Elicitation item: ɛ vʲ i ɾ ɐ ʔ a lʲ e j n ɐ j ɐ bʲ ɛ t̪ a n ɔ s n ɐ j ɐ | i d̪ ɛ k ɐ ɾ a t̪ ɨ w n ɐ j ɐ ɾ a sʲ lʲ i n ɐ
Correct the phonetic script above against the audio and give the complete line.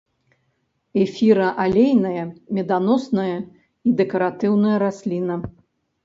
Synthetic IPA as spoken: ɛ fʲ i ɾ ɐ ʔ a lʲ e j n ɐ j ɐ mʲ ɛ d̪ a n ɔ s n ɐ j ɐ | i d̪ ɛ k ɐ ɾ a t̪ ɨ w n ɐ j ɐ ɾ a sʲ lʲ i n ɐ